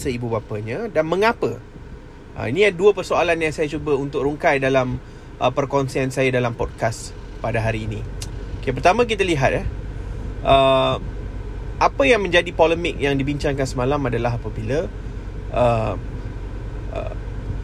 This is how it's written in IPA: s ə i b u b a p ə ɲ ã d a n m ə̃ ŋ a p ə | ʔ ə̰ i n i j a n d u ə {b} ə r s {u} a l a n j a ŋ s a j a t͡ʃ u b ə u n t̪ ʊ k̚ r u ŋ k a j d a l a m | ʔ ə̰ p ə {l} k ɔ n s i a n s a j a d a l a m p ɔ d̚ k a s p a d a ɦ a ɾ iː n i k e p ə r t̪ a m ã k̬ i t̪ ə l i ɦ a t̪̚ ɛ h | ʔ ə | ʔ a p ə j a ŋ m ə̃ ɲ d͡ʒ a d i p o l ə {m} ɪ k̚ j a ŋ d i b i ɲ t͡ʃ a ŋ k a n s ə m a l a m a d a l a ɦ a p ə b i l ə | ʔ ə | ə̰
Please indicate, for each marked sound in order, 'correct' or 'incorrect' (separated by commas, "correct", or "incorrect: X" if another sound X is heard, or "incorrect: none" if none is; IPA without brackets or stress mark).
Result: incorrect: p, incorrect: o, incorrect: r, correct